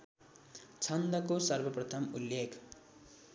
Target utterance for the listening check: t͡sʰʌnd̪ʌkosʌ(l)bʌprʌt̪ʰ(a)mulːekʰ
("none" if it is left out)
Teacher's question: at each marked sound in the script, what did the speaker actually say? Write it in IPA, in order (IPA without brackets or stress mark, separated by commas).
r, ʌ